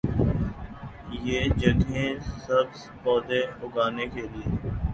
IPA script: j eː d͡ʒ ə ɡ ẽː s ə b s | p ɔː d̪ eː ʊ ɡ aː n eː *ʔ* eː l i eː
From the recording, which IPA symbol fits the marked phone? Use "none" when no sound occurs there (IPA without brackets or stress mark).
k